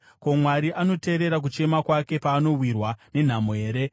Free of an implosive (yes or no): yes